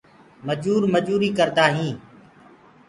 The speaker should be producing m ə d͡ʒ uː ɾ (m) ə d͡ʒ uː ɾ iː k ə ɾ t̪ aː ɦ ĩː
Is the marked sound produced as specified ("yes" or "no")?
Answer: yes